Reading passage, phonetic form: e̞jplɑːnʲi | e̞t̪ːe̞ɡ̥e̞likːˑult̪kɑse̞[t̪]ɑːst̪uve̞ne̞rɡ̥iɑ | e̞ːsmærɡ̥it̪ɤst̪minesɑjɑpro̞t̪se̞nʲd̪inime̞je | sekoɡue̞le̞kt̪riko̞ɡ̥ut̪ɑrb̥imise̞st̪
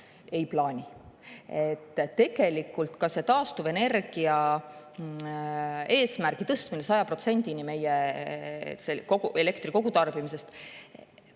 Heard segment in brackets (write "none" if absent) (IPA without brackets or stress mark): t̪